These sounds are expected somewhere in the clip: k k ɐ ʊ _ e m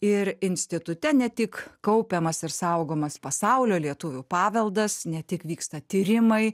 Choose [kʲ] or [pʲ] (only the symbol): pʲ